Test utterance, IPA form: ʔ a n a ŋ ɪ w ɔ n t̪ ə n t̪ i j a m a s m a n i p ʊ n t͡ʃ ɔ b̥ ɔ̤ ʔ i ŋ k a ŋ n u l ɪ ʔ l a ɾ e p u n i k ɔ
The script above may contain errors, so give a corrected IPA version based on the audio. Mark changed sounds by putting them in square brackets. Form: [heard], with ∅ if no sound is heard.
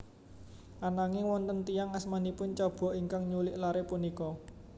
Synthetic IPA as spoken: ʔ a n a ŋ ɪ w ɔ n t̪ ə n t̪ i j a [ŋ] a s m a n i p ʊ n t͡ʃ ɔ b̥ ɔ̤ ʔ i ŋ k a ŋ [ɲ] u l ɪ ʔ l a ɾ e p u n i k ɔ